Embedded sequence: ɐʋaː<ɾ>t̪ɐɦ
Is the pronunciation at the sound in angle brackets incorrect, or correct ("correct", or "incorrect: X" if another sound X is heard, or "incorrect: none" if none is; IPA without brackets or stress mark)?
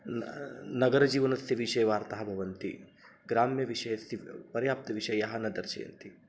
correct